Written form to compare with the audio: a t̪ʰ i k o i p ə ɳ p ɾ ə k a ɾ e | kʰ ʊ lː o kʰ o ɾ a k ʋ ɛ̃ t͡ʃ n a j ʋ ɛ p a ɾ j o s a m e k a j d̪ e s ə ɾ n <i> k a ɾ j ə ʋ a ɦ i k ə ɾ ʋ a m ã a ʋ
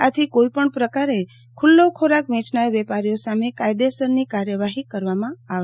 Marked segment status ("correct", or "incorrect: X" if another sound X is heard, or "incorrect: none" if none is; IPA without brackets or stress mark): correct